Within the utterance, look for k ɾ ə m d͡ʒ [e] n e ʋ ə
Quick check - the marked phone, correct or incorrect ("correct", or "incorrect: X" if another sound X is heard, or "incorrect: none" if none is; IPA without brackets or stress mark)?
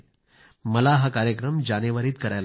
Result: incorrect: a